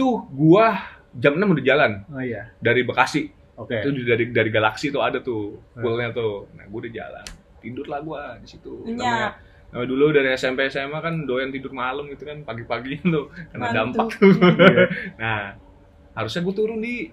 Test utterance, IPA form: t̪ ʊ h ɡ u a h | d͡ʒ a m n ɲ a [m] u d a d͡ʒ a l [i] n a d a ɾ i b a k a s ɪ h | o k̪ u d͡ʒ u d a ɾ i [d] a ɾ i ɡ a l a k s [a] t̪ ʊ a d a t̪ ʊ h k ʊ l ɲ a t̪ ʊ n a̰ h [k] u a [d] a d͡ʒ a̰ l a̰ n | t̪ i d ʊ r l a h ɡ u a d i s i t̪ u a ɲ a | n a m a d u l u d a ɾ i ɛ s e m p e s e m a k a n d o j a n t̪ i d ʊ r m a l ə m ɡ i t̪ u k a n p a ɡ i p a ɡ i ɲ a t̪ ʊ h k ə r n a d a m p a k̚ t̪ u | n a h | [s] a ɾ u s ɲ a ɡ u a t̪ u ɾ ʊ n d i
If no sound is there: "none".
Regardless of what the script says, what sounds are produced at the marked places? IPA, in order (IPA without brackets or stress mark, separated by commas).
m, a, d, i, ɡ, d, h